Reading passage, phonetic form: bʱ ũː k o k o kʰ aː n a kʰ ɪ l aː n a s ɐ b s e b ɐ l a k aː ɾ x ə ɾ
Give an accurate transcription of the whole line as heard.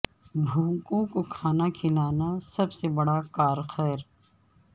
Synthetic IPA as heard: bʱ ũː k õ k o kʰ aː n a kʰ ɪ l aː n a s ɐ b s e b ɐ ɽ a k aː ɾ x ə ɾ